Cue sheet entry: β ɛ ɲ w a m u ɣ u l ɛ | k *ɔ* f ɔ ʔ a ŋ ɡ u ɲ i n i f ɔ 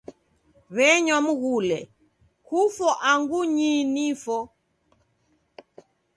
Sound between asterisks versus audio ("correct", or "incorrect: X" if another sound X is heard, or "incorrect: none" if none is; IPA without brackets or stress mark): incorrect: u